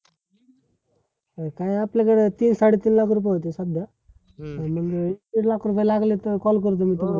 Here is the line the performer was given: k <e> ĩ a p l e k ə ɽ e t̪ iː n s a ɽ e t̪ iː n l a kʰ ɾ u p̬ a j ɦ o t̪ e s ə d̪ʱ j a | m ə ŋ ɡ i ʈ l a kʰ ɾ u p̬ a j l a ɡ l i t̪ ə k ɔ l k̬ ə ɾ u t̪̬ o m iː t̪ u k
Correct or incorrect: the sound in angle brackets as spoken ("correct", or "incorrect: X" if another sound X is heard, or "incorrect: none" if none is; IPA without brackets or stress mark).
incorrect: a